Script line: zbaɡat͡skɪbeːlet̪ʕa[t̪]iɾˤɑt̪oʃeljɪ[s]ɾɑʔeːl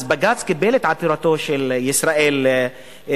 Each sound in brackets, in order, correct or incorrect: correct, correct

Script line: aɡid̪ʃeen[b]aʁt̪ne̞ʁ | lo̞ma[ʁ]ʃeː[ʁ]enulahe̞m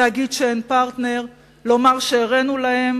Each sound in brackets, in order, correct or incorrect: incorrect, correct, correct

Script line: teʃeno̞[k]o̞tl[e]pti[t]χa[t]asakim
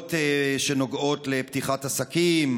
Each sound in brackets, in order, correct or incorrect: incorrect, correct, incorrect, correct

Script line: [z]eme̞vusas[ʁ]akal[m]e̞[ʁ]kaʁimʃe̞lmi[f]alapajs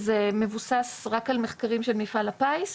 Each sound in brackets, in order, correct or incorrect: correct, correct, correct, incorrect, correct

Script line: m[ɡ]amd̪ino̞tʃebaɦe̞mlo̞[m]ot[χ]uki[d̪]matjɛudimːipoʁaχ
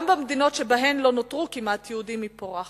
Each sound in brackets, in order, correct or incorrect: incorrect, incorrect, incorrect, incorrect

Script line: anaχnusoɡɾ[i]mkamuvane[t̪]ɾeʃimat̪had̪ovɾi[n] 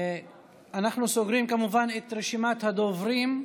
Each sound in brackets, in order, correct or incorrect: correct, correct, incorrect

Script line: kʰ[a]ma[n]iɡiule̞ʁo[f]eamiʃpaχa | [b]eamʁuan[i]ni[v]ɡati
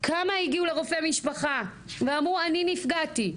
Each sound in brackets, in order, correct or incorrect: correct, incorrect, correct, incorrect, correct, incorrect

